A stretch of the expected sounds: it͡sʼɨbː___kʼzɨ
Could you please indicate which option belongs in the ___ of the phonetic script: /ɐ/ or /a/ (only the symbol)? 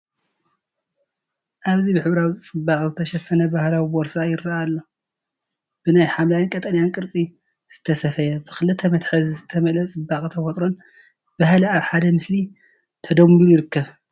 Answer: a